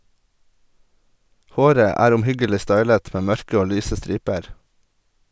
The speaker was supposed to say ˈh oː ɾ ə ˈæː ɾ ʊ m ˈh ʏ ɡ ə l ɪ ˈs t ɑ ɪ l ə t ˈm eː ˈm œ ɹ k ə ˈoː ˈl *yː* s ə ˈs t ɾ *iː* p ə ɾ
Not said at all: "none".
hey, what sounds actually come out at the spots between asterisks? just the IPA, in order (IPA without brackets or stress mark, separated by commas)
yː, iː